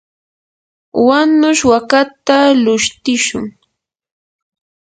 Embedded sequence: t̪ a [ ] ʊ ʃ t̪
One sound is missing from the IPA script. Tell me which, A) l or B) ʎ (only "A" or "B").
A